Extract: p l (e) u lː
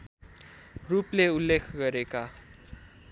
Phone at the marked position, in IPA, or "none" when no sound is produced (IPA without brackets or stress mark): e